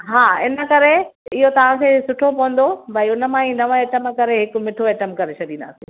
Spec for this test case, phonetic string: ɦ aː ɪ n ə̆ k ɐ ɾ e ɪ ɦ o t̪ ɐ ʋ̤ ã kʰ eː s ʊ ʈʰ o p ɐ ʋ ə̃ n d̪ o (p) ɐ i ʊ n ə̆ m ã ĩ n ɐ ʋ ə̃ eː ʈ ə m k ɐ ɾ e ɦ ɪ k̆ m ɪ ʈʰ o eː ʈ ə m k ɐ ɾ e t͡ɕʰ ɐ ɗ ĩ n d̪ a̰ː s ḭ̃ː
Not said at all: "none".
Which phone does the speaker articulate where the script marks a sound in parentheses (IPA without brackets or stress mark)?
b